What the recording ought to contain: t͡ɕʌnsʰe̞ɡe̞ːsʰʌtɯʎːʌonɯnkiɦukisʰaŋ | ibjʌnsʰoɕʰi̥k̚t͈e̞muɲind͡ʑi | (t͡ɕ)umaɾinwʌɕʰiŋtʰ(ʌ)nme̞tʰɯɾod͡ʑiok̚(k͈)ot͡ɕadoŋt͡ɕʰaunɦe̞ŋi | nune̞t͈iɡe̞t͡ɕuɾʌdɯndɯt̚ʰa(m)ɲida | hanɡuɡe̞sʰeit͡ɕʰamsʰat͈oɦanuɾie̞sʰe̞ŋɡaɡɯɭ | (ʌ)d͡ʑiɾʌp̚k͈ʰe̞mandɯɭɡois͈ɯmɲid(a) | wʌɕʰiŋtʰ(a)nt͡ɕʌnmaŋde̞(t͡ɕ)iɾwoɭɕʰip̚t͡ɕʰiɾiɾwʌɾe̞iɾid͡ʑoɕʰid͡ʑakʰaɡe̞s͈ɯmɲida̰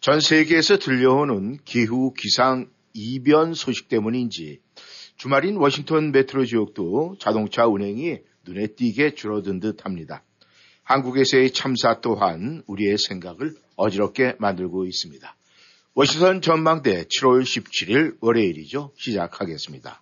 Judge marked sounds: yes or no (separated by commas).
yes, yes, no, yes, yes, yes, no, no